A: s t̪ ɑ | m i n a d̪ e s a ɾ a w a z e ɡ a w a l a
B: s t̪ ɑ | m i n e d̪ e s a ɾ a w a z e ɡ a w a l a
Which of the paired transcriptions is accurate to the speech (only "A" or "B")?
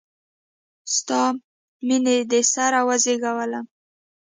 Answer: B